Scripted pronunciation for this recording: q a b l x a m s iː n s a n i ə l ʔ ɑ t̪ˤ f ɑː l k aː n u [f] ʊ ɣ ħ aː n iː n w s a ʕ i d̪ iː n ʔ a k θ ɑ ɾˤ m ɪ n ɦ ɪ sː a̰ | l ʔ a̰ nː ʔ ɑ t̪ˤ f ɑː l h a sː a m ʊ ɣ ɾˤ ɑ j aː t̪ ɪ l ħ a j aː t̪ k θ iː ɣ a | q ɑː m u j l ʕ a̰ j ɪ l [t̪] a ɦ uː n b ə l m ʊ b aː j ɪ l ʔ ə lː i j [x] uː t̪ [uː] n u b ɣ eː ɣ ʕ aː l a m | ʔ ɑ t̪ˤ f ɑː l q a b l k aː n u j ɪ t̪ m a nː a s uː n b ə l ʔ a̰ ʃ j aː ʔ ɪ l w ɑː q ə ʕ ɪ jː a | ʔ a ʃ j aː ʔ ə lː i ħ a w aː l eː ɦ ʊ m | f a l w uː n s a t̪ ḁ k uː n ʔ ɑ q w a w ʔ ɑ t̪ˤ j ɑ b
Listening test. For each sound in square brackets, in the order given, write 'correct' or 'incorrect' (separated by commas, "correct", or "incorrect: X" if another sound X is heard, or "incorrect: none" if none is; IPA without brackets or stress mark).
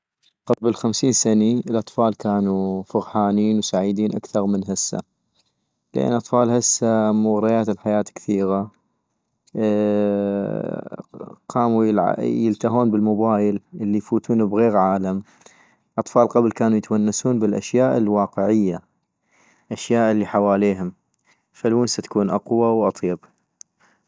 correct, correct, incorrect: f, correct